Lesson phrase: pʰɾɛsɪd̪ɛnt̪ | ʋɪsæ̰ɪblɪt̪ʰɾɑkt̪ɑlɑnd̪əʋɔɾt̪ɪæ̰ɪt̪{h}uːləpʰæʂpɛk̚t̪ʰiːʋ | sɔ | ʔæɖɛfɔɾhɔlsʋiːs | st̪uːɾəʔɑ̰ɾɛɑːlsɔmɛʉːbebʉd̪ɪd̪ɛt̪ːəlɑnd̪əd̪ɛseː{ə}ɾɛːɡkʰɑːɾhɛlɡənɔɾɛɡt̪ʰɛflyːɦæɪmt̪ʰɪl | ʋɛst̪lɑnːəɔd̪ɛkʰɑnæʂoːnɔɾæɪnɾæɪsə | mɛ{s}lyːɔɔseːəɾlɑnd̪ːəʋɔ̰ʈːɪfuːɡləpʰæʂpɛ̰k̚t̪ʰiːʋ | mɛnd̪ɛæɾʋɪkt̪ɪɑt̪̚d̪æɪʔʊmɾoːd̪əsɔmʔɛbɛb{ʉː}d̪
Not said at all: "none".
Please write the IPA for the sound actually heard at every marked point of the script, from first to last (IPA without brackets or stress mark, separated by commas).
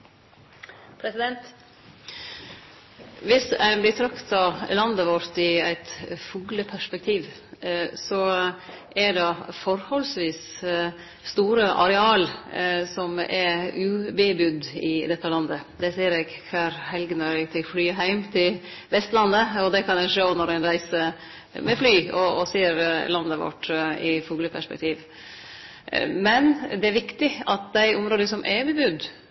f, ə, f, ʉ